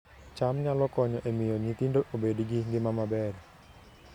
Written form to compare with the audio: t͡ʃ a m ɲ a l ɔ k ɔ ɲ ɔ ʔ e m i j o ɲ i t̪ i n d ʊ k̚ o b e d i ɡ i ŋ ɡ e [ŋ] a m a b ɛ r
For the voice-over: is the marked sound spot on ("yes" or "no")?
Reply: no